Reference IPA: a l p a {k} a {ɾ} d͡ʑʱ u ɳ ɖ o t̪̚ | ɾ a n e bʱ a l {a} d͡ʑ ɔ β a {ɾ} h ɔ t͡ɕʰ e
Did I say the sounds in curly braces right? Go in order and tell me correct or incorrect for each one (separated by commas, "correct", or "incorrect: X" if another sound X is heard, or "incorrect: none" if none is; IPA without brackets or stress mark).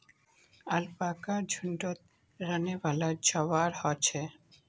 correct, correct, correct, correct